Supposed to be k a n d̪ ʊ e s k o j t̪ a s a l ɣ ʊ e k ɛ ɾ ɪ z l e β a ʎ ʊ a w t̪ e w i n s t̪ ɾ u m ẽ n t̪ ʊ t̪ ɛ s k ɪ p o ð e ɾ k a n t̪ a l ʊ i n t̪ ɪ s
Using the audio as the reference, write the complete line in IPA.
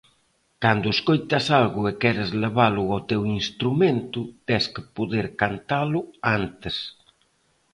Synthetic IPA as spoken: k a n d̪ ʊ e s k o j t̪ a s a l ɣ ʊ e k ɛ ɾ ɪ z l e β a l ʊ a w t̪ e w i n s t̪ ɾ u m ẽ n t̪ ʊ t̪ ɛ s k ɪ p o ð e ɾ k a n t̪ a l ʊ a n t̪ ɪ s